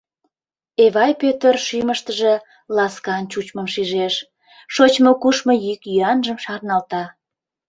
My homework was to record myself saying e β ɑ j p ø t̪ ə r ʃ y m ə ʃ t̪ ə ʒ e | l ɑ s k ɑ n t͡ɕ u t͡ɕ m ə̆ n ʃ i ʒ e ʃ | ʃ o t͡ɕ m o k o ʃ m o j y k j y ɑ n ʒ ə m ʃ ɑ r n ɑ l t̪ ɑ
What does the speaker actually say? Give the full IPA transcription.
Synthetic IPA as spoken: e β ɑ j p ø t̪ ə r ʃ y m ə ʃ t̪ ə ʒ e | l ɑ s k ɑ n t͡ɕ u t͡ɕ m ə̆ m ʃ i ʒ e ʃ | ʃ o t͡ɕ m o k u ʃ m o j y k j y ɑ n ʒ ə m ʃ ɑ r n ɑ l t̪ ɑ